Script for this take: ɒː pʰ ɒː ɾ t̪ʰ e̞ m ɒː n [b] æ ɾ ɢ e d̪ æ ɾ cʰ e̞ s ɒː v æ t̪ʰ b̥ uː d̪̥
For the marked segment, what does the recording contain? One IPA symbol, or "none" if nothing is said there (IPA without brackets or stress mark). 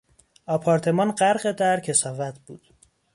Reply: ɢ